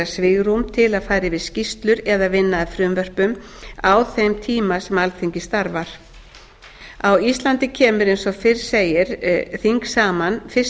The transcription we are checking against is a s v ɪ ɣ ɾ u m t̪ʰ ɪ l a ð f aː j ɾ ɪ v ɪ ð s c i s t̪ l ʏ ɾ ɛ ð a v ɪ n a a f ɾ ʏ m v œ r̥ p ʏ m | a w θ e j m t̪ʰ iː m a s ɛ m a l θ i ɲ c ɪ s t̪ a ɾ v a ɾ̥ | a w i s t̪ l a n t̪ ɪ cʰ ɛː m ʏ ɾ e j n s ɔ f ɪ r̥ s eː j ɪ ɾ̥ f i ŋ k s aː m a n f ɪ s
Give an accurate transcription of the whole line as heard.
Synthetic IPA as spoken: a s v ɪ ɣ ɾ u m t̪ʰ ɪ l a ð f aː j ɾ ɪ v ɪ ð s c i s t̪ l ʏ ɾ ɛ ð a v ɪ nː a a f ɾ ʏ m v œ r̥ p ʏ m | a w θ e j m t̪ʰ iː m a s ɛ m a l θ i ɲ c ɪ s t̪ a ɾ v a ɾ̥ | a w i s t̪ l a n t̪ ɪ cʰ ɛː m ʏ ɾ e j n s ɔ f ɪ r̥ s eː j ɪ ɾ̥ θ i ŋ k s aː m a n f ɪ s